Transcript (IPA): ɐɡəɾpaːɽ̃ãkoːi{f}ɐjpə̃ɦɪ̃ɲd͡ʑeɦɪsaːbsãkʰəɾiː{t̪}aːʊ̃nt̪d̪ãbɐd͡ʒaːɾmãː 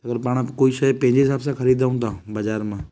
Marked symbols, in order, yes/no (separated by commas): no, no